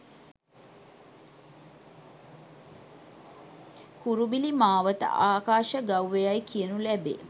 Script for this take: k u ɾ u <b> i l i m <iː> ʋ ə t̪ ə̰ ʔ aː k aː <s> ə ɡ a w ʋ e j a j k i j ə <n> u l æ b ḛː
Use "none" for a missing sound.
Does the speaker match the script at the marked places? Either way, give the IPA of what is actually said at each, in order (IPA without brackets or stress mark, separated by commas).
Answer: b, aː, ʃ, n